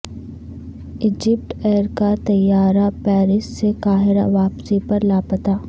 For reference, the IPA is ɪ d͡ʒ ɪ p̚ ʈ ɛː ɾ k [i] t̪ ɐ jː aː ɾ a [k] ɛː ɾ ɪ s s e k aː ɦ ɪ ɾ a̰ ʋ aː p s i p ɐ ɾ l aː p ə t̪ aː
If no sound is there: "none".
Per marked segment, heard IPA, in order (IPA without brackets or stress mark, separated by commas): a, p